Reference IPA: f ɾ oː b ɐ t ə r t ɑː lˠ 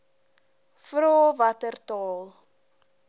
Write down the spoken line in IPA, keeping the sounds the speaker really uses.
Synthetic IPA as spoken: f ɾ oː v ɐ t ə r t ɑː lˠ